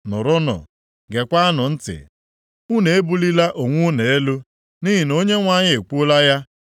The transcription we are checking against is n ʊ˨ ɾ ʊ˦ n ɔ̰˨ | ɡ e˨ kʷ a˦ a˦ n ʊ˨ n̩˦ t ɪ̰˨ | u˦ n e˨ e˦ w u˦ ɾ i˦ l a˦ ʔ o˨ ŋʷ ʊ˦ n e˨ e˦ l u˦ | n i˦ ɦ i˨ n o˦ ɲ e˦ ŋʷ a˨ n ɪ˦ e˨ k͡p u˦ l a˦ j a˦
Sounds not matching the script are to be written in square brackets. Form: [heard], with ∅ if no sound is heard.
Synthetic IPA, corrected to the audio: n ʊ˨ ɾ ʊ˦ n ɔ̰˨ | ɡ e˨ kʷ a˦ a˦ n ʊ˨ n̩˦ t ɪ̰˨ | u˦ n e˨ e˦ [b] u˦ [l] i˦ l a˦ ʔ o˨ ŋʷ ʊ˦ n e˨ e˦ l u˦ | n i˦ ɦ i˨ n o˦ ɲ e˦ ŋʷ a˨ [ɲ] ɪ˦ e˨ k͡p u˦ l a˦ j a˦